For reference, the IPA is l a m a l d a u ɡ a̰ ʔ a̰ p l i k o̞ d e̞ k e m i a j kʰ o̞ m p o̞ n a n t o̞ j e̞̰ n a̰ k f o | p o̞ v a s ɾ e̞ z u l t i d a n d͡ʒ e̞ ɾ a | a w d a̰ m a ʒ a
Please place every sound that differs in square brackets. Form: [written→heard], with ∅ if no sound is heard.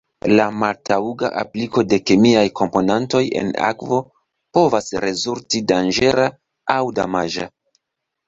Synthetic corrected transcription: l a m a l [d→t] a u ɡ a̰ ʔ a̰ p l i k o̞ d e̞ k e m i a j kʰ o̞ m p o̞ n a n t o̞ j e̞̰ n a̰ k [f→v] o | p o̞ v a s ɾ e̞ z u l t i d a n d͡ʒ e̞ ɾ a | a w d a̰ m a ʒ a